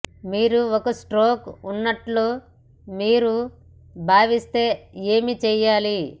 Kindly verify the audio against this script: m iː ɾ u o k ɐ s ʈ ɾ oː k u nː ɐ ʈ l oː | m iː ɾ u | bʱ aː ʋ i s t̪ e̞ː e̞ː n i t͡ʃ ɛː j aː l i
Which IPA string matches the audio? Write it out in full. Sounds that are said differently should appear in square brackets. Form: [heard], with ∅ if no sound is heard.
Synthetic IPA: m iː ɾ u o k ɐ s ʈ ɾ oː k u nː ɐ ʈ l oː | m iː ɾ u | bʱ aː ʋ i s t̪ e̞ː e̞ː [m] i t͡ʃ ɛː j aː l i

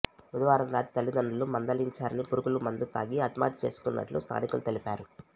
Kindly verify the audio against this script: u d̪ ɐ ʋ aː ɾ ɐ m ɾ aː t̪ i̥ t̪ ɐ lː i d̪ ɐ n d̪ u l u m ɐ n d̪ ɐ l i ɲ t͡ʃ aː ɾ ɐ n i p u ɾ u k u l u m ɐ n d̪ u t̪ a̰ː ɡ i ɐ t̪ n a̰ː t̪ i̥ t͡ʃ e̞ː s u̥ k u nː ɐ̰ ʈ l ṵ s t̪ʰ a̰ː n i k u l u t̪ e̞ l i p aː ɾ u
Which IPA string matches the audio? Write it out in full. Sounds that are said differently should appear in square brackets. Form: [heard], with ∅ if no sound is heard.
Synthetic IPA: u d̪ ɐ ʋ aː ɾ ɐ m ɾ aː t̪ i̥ t̪ ɐ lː i d̪ ɐ n d̪ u l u m ɐ n d̪ ɐ l i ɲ t͡ʃ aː ɾ ɐ n i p u ɾ u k u l u m ɐ n d̪ u t̪ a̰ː ɡ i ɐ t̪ [m] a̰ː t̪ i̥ t͡ʃ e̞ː s u̥ k u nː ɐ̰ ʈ l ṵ s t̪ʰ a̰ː n i k u l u t̪ e̞ l i p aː ɾ u

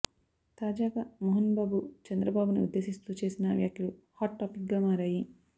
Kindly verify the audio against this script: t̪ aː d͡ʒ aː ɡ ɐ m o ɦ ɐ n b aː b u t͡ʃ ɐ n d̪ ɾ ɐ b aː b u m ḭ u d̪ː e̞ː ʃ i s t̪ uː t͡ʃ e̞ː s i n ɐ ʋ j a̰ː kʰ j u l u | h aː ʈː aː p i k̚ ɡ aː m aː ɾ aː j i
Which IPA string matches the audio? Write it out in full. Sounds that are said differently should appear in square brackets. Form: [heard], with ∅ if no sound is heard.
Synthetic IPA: t̪ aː d͡ʒ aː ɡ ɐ m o ɦ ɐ n b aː b u t͡ʃ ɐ n d̪ ɾ ɐ b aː b u [n] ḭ u d̪ː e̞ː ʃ i s t̪ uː t͡ʃ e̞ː s i n ɐ ʋ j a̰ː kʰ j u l u | h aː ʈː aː p i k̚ ɡ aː m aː ɾ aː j i

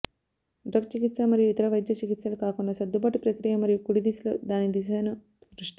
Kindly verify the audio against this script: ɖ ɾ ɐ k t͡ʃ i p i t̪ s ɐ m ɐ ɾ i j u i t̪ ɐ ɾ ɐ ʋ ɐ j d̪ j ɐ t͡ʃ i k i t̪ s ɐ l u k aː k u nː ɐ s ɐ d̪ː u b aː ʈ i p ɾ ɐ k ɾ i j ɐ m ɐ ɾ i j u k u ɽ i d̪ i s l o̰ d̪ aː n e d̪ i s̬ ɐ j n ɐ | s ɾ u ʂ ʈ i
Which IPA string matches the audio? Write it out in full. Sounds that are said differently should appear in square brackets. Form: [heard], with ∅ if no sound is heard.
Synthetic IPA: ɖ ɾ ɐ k t͡ʃ i [k] i t̪ s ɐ m ɐ ɾ i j u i t̪ ɐ ɾ ɐ ʋ ɐ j d̪ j ɐ t͡ʃ i k i t̪ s ɐ l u k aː k u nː ɐ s ɐ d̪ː u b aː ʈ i p ɾ ɐ k ɾ i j ɐ m ɐ ɾ i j u k u ɽ i d̪ i s l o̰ d̪ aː n [i] d̪ i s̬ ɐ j n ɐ | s ɾ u ʂ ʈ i

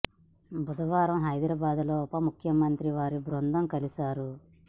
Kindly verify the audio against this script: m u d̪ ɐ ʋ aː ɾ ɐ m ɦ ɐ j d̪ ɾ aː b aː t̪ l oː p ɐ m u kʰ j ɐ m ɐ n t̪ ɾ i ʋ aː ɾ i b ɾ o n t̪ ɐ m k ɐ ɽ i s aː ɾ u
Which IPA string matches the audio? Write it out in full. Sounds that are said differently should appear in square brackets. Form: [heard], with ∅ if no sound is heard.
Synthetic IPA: [b] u d̪ ɐ ʋ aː ɾ ɐ m ɦ ɐ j d̪ ɾ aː b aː [d̪] l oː p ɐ m u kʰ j ɐ m ɐ n t̪ ɾ i ʋ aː ɾ i b ɾ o n [d̪] ɐ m k ɐ [l] i s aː ɾ u

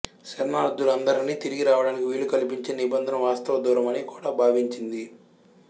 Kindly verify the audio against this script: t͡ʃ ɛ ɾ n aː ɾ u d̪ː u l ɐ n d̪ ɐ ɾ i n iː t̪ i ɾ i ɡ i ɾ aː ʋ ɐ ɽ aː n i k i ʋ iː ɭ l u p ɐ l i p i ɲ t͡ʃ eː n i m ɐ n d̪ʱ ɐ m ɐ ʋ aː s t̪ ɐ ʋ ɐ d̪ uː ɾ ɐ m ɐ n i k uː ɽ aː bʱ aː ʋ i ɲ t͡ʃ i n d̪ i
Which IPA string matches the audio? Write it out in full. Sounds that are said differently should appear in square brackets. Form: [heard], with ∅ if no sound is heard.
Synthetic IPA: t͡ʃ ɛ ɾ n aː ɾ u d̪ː u l ɐ n d̪ ɐ ɾ i n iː t̪ i ɾ i ɡ i ɾ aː ʋ ɐ ɽ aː n i k i ʋ iː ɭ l u [k] ɐ l i p i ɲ t͡ʃ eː n i [b] ɐ n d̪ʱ ɐ [n] ɐ ʋ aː s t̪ ɐ ʋ ɐ d̪ uː ɾ ɐ m ɐ n i k uː ɽ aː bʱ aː ʋ i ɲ t͡ʃ i n d̪ i

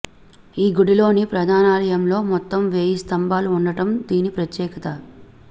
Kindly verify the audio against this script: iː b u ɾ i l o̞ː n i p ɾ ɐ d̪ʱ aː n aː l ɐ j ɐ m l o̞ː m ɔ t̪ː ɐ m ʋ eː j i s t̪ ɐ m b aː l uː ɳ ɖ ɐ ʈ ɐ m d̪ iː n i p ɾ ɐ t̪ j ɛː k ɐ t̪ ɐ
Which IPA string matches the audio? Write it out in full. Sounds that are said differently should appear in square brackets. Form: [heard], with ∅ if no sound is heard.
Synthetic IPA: iː [ɡ] u [ɽ] i l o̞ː n i p ɾ ɐ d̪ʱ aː n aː l ɐ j ɐ m l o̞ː m ɔ t̪ː ɐ m ʋ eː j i s t̪ ɐ m b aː l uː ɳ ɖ ɐ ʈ ɐ m d̪ iː n i p ɾ ɐ t̪ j ɛː k ɐ t̪ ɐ

